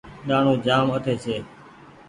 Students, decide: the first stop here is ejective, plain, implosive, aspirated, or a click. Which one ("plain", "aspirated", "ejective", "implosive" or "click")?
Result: implosive